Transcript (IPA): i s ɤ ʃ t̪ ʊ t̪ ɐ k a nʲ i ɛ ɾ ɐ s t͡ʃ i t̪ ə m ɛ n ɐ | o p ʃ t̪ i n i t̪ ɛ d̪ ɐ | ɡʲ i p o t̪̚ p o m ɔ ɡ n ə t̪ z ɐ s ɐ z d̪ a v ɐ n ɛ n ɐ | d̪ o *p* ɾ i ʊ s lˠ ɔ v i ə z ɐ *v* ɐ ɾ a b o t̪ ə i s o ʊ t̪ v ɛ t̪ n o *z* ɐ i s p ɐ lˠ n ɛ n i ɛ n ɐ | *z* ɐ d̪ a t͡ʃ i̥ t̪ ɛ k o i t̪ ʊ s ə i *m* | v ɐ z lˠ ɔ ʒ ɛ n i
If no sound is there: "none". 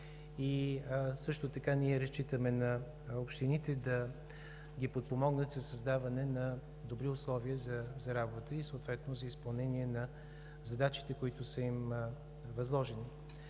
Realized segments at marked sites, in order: b, z, z, z, m

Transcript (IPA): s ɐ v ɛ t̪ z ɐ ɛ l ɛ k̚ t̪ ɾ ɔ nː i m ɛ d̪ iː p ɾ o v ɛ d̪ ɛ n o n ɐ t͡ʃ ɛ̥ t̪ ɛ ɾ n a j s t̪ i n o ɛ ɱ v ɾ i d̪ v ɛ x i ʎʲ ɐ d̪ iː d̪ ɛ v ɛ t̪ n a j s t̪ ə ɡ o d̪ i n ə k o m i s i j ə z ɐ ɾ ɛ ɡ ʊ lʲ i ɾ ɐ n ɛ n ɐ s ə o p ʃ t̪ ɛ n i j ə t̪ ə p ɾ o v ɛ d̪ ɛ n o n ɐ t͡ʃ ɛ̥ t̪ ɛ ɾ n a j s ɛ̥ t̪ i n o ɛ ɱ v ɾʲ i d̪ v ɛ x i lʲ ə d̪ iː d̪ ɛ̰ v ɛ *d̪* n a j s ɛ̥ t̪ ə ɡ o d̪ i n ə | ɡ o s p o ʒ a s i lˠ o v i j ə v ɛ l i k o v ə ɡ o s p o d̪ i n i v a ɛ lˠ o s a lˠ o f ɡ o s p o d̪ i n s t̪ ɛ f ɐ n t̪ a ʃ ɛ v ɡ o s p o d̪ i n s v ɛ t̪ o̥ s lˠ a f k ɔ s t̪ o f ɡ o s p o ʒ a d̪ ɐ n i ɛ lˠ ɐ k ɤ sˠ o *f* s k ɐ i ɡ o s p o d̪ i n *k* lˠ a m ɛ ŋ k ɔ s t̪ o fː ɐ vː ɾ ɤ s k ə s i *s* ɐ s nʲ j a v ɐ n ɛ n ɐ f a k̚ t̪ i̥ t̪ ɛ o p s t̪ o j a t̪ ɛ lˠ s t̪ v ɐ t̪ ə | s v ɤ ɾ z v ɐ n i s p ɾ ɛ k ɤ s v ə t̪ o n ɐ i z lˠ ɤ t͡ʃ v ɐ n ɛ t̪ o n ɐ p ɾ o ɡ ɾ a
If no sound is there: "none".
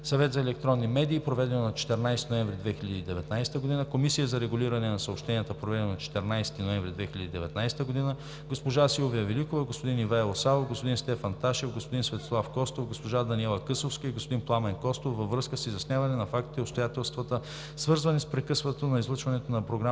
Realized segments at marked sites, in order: t̪, f, p, z

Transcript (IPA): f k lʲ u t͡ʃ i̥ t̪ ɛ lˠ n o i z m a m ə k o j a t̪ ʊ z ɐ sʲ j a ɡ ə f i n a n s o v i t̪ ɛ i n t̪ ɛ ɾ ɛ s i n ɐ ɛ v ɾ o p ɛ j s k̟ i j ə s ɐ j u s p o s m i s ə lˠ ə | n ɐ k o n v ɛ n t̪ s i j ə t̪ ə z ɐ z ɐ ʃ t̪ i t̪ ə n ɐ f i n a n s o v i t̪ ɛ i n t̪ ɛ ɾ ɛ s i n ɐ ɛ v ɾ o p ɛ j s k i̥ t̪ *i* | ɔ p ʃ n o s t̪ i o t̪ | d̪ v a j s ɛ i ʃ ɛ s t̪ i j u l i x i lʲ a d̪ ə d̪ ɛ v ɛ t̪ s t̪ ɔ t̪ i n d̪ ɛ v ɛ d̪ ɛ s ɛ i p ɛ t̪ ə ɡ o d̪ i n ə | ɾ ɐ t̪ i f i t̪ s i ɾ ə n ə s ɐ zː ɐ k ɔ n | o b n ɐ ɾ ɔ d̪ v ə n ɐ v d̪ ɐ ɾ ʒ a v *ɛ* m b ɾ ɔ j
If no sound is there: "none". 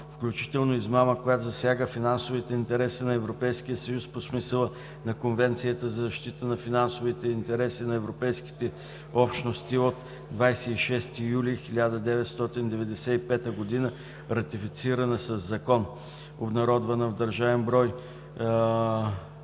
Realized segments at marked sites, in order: ɛ, ɛ

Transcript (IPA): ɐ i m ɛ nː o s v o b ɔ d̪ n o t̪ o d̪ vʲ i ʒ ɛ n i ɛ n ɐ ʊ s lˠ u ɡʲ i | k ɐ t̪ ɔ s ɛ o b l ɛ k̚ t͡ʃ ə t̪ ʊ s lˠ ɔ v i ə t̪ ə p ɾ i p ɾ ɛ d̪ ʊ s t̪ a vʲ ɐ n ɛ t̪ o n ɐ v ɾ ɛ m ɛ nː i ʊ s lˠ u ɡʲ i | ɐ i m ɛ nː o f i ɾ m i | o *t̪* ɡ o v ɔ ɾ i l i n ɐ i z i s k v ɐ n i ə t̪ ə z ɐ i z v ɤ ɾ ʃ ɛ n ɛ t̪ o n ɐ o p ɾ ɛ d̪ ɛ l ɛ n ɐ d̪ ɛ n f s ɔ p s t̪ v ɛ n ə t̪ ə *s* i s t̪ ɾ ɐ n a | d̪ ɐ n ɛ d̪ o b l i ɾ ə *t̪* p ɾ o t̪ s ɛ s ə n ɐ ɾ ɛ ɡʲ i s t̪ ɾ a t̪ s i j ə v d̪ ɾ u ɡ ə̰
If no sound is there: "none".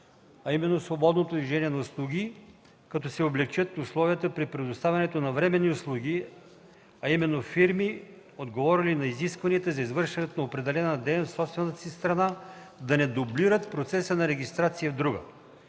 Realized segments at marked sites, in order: d̪, s, t̪

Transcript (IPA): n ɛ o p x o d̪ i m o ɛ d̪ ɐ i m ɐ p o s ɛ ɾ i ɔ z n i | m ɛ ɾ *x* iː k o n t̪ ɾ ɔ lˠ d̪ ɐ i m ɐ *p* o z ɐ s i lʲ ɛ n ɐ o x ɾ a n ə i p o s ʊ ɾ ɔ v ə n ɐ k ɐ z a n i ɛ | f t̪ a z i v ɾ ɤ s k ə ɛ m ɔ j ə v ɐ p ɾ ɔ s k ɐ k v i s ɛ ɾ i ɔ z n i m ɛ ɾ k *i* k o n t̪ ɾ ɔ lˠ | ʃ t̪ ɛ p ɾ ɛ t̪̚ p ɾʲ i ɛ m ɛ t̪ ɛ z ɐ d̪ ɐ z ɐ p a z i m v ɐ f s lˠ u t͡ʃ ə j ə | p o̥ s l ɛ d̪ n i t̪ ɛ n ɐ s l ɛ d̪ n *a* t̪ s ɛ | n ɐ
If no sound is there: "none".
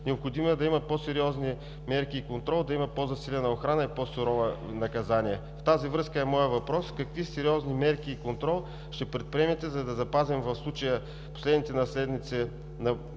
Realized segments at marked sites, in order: k, p, iː, i

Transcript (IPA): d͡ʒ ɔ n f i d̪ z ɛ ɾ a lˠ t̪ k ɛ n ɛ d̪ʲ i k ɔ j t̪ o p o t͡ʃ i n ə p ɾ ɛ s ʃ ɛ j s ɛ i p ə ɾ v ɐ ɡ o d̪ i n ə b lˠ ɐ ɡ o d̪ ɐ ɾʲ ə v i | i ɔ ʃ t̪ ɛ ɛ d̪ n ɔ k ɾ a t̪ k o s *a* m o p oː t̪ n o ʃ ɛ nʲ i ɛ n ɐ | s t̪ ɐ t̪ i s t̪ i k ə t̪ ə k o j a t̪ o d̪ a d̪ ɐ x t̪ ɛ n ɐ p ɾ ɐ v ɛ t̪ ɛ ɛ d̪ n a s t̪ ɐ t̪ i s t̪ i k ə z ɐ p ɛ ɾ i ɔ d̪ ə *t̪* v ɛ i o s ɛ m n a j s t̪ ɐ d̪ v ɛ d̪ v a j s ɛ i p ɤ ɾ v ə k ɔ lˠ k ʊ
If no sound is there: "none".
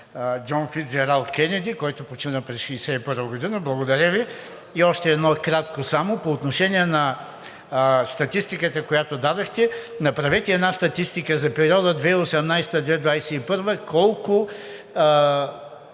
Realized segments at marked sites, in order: a, d̪

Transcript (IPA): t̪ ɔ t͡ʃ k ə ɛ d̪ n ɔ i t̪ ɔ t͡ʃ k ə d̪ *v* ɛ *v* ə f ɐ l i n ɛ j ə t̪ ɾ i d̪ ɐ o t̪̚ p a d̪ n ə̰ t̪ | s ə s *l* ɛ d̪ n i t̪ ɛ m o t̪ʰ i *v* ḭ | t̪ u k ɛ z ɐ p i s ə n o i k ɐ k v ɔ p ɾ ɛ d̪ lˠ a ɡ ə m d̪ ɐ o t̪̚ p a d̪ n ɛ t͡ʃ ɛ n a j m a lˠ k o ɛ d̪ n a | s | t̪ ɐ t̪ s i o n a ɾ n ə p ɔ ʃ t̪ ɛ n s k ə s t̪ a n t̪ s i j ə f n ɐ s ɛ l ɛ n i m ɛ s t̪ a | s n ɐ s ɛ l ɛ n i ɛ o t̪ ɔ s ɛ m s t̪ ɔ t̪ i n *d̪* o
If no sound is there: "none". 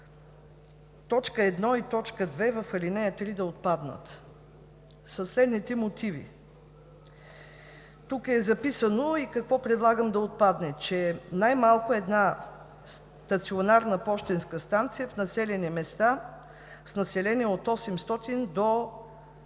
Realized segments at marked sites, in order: v, v, l, v, d̪

